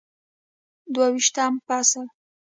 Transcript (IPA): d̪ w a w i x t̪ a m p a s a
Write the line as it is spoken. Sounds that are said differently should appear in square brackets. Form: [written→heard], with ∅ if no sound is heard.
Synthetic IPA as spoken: d̪ w a w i [x→ʃ] t̪ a m p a s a